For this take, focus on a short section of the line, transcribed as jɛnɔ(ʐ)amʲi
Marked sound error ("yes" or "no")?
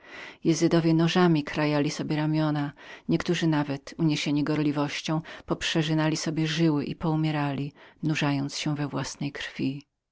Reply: no